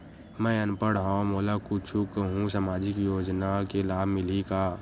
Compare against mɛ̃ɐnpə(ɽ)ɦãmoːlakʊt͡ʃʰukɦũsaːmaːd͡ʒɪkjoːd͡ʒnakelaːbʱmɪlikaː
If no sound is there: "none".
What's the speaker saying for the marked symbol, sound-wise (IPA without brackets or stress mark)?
ɽ